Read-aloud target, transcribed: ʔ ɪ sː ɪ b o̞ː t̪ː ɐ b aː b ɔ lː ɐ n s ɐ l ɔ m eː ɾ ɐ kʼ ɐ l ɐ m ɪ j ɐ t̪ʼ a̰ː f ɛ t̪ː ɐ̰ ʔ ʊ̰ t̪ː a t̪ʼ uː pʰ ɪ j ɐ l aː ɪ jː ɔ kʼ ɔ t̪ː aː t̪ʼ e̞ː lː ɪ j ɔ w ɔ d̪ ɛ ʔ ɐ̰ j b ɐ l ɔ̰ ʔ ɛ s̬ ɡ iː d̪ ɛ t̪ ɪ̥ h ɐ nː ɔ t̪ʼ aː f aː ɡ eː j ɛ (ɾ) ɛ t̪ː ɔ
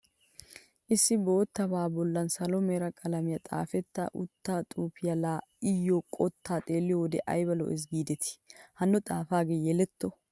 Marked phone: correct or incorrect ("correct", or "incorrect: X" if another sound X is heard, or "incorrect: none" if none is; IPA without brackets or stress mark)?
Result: incorrect: l